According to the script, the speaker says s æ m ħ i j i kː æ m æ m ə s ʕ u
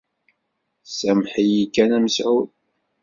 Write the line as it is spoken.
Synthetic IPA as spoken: s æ m ħ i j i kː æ n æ m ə s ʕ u

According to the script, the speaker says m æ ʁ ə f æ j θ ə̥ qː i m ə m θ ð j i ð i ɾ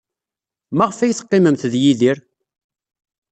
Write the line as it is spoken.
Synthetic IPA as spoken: m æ ʁ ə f æ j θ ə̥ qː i m ə m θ ð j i ð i ɾ

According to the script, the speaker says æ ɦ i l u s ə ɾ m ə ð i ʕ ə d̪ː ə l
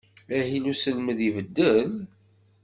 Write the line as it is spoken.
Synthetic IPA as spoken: æ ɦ i l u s ə l m ə ð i v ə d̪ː ə l

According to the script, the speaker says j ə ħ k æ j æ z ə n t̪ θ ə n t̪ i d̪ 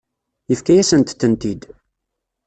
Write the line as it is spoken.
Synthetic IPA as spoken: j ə f k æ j æ s ə n t̪ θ ə n t̪ i d̪

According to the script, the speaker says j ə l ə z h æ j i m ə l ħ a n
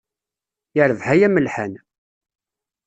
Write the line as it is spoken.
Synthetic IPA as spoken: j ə ɾ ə v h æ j æ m ə l ħ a n

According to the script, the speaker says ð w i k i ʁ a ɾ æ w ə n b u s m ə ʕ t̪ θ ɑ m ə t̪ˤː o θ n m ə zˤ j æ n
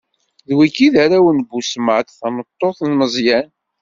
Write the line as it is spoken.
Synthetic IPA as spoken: ð w i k i ð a ɾ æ w ə n b u s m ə ʕ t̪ θ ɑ m ə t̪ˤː o θ n m ə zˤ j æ n

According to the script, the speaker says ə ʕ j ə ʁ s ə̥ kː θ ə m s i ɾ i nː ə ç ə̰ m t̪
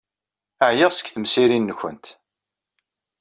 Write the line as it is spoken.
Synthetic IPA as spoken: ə ʕ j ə ʁ s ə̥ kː θ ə m s i ɾ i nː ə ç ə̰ n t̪

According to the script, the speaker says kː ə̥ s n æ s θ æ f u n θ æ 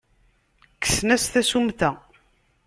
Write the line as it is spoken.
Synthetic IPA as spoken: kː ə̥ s n æ s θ æ s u m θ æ

